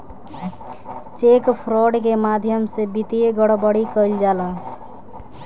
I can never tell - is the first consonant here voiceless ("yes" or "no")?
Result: yes